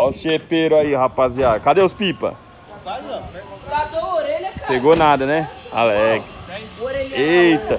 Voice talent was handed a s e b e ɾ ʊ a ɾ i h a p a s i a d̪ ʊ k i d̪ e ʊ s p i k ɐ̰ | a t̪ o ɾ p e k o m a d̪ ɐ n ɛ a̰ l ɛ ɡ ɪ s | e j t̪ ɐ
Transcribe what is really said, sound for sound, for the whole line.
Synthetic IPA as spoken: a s e p e ɾ ʊ a i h a p a z i a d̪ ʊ k a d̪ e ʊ s p i p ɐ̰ | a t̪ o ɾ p e ɡ o n a d̪ ɐ n ɛ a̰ l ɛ ɡ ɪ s | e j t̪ ɐ